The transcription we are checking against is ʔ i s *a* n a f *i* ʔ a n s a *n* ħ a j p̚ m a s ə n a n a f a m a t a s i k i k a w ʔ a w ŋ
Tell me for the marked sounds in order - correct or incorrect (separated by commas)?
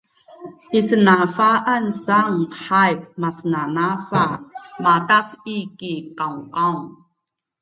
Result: incorrect, incorrect, incorrect